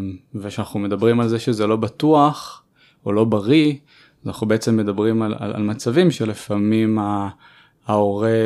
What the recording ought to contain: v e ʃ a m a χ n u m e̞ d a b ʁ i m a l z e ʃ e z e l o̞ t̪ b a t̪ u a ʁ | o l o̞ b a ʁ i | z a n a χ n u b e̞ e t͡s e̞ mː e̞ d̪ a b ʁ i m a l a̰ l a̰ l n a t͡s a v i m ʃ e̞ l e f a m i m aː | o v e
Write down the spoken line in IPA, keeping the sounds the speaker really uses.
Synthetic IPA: v e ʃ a n a χ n u m e̞ d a b ʁ i m a l z e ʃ e z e l o̞ b a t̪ u a χ | o l o̞ b a ʁ i | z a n a χ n u b e̞ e t͡s e̞ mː e̞ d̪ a b ʁ i m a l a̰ l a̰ l m a t͡s a v i m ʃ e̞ l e f a m i m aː | o ʁ e